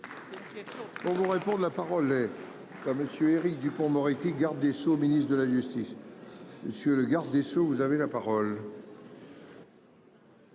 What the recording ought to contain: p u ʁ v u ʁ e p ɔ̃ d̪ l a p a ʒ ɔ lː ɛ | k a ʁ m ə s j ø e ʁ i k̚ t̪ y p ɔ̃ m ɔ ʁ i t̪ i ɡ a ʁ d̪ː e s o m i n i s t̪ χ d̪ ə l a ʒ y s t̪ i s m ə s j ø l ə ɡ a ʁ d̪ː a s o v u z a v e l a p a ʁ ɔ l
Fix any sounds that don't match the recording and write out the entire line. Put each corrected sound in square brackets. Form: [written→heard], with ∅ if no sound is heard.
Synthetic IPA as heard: p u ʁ v u ʁ e p ɔ̃ d̪ l a p a [ʒ→ʁ] ɔ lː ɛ | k a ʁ m ə s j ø e ʁ i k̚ [t̪→d̪] y p ɔ̃ m ɔ ʁ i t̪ i ɡ a ʁ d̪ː e s o m i n i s t̪ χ d̪ ə l a ʒ y s t̪ i s m ə s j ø l ə ɡ a ʁ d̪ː [a→e] s o v u z a v e l a p a ʁ ɔ l